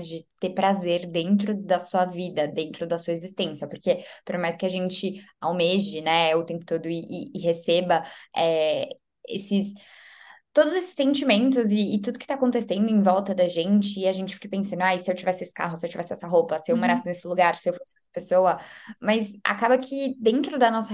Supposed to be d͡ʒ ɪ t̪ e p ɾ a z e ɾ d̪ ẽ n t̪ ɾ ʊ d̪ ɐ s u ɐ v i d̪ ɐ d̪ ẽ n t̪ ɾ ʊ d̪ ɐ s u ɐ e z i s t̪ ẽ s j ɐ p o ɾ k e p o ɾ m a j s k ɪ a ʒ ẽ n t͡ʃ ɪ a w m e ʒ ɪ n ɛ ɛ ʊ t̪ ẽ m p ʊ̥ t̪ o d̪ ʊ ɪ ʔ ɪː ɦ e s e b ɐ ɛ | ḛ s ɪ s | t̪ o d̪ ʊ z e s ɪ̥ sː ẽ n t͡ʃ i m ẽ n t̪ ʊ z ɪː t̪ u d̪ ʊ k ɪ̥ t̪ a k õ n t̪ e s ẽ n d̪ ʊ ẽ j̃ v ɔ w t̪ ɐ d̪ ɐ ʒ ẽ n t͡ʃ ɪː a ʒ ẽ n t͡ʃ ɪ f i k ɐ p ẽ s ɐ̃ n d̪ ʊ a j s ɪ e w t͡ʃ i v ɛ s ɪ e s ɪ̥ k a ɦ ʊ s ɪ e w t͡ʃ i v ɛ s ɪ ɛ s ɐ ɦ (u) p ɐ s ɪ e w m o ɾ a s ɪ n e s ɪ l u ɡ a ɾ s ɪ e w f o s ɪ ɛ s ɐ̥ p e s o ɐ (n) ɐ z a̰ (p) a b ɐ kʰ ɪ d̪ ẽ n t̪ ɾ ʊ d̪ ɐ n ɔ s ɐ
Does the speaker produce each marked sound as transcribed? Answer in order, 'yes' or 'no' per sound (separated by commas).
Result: no, no, no